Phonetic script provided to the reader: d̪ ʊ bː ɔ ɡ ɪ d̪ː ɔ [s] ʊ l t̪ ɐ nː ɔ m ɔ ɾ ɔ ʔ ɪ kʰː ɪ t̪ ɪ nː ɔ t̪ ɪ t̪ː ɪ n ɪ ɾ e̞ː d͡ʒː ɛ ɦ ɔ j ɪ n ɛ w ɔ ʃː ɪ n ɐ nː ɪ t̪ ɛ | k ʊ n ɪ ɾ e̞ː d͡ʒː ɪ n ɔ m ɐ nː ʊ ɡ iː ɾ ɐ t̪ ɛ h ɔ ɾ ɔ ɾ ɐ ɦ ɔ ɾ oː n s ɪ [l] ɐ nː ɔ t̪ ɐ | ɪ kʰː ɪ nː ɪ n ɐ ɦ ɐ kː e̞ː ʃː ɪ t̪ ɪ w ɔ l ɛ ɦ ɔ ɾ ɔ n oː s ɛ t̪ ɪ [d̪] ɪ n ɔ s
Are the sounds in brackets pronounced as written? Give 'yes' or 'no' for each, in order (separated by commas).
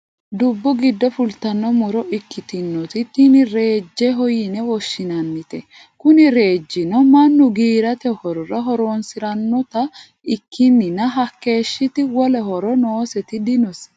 no, no, yes